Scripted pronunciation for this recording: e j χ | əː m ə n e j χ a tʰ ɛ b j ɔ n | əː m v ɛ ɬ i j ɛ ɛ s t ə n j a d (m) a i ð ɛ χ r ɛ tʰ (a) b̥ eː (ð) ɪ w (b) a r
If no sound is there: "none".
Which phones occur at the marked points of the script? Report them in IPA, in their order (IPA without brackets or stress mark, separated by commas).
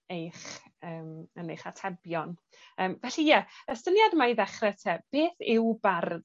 m, ɛ, θ, b